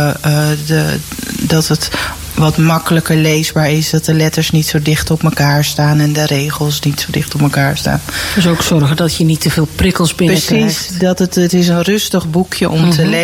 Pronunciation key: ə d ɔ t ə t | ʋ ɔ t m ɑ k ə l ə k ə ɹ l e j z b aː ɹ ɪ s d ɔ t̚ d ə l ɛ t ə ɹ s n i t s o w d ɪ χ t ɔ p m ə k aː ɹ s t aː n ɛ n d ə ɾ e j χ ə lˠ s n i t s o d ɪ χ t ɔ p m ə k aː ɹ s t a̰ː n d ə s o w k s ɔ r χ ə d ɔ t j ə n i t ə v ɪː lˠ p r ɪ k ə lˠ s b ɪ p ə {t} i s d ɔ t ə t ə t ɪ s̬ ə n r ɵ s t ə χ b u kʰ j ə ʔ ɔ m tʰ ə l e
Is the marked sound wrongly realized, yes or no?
yes